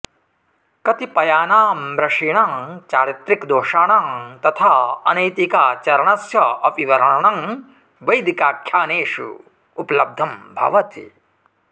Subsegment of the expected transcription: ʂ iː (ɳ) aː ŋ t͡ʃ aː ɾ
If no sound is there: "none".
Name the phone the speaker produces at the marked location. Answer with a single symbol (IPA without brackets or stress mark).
ɳ